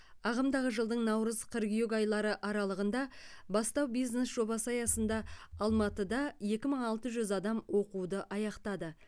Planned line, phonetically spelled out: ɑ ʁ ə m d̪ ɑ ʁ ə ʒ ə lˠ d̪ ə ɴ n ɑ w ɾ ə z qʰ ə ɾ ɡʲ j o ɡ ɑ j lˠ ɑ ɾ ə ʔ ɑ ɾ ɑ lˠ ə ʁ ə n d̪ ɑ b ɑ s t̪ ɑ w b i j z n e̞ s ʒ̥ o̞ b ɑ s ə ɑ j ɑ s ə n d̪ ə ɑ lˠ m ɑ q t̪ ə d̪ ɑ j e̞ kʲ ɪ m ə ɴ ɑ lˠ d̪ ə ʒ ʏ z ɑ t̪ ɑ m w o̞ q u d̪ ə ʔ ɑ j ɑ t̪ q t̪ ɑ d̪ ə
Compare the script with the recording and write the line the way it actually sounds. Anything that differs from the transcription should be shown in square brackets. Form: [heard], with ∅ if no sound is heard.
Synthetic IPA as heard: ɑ ʁ ə m d̪ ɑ ʁ ə ʒ ə lˠ d̪ ə ɴ n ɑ w ɾ ə z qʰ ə ɾ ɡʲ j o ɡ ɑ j lˠ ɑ ɾ ə ʔ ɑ ɾ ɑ lˠ ə ʁ ə n d̪ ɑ b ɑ s t̪ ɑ w b i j z n e̞ s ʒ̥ o̞ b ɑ s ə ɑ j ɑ s ə n d̪ [ɑ] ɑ lˠ m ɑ [∅] t̪ ə d̪ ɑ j e̞ kʲ ɪ m ə ɴ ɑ lˠ [t̪] ə ʒ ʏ z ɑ [d̪] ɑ m w o̞ q u d̪ ə ʔ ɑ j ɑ [∅] q t̪ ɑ d̪ ə